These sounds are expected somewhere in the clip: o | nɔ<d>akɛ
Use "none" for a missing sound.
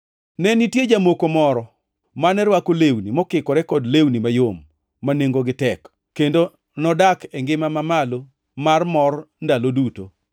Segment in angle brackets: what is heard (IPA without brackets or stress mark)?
d